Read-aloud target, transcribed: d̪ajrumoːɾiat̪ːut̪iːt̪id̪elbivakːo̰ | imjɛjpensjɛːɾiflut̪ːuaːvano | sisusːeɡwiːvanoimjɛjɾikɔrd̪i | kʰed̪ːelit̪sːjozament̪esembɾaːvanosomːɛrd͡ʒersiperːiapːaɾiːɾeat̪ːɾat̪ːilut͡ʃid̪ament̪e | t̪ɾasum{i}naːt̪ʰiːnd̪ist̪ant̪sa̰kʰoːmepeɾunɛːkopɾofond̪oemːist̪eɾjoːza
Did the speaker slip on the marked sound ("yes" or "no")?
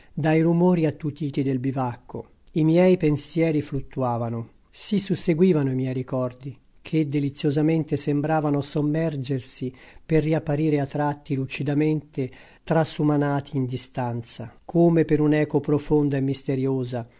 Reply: yes